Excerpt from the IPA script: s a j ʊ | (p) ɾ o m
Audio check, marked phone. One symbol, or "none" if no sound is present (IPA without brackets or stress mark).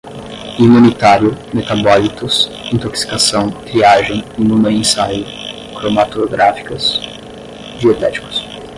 k